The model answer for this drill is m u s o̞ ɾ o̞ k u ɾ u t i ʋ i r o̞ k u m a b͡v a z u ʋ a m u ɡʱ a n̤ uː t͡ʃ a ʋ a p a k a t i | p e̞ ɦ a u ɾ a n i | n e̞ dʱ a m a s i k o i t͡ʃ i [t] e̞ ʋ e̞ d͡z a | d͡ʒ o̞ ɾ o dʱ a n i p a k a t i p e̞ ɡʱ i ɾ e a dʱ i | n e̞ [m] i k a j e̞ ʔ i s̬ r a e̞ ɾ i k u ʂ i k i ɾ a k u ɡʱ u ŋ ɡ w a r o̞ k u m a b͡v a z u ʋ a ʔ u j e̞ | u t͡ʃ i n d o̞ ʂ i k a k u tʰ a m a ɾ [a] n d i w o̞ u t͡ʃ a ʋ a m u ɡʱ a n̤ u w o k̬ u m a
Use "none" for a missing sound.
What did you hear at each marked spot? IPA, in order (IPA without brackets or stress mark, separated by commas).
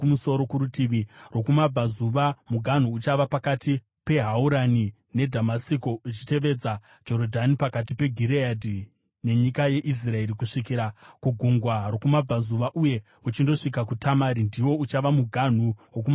t, ɲ, i